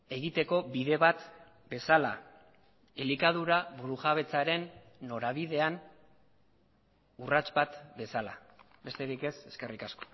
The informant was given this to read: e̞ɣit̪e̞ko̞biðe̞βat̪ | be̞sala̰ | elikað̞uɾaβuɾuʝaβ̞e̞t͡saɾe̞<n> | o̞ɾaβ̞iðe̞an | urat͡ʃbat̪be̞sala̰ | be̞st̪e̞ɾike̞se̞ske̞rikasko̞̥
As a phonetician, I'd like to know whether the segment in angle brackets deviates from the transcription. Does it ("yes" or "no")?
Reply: yes